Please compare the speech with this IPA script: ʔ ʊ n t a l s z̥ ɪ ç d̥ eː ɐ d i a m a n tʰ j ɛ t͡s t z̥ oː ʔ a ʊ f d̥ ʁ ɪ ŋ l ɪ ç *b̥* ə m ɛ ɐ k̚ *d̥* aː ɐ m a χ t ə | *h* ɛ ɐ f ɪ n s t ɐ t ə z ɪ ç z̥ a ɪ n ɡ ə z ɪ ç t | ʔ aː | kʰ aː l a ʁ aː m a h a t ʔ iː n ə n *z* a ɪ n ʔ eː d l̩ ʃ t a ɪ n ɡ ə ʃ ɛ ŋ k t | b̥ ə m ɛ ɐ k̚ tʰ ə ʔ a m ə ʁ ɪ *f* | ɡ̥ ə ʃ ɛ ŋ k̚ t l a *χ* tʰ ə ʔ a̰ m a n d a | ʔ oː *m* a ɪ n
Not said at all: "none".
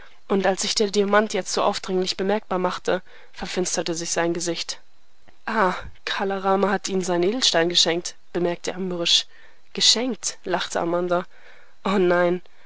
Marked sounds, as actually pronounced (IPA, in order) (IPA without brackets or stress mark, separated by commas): b̥, b̥, f, z, ʃ, χ, n